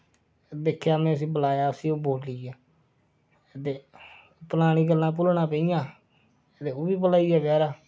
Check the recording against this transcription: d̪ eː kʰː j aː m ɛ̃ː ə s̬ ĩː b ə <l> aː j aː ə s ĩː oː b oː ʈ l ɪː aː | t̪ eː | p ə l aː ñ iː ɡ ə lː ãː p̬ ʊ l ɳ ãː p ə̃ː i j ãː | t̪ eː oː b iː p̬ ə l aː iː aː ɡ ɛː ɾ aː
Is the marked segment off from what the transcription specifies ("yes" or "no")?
no